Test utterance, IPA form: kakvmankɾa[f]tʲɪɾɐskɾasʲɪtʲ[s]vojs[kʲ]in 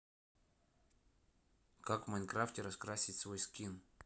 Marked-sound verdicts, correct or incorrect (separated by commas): correct, correct, correct